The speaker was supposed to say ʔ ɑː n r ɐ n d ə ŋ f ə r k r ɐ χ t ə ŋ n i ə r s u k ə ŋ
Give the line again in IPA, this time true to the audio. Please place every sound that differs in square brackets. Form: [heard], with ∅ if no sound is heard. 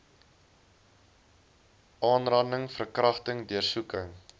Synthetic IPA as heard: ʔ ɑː n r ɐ n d ə ŋ f ə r k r ɐ χ t ə ŋ [d] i ə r s u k ə ŋ